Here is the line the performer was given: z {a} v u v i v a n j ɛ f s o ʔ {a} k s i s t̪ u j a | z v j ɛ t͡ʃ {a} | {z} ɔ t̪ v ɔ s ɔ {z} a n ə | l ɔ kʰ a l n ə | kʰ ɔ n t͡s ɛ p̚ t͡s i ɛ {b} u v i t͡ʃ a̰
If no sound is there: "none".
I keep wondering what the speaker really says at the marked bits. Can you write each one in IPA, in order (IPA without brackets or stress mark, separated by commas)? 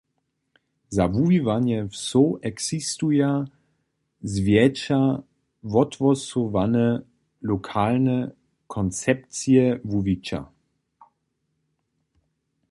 a, ɛ, a, v, v, v